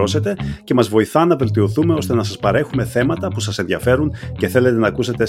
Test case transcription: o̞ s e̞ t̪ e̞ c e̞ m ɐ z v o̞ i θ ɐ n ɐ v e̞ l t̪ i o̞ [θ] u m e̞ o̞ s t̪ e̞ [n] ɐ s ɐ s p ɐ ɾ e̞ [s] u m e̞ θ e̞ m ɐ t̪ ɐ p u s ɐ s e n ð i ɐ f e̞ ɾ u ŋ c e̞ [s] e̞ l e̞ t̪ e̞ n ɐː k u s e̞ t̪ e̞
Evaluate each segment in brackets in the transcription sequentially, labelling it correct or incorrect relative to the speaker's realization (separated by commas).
correct, correct, incorrect, incorrect